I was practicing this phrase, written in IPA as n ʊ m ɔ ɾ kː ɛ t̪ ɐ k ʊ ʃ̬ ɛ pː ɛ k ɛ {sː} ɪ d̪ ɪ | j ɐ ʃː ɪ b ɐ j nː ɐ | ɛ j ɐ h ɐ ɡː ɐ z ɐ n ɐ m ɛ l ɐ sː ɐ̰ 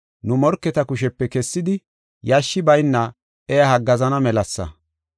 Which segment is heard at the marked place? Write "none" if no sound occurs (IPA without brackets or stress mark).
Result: sː